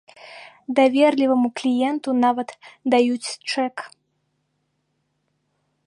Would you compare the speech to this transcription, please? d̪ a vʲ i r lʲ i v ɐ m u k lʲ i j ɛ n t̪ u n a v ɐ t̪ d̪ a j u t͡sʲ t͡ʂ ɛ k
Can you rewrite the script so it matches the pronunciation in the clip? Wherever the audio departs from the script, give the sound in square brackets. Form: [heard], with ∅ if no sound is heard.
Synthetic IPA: d̪ a vʲ [ɛ] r lʲ i v ɐ m u k lʲ i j ɛ n t̪ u n a v ɐ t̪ d̪ a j u t͡sʲ t͡ʂ ɛ k